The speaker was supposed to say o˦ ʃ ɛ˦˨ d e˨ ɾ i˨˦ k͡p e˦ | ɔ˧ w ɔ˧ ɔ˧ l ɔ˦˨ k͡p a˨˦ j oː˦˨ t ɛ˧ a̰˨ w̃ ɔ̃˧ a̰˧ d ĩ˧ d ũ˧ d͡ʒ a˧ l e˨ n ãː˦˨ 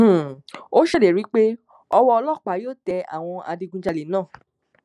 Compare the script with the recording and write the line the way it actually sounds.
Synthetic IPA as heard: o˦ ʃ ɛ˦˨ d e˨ ɾ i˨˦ k͡p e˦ | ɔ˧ w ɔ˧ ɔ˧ l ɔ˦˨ k͡p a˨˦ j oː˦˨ t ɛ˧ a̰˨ w̃ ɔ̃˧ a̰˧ d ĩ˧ ɡ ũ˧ d͡ʒ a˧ l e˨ n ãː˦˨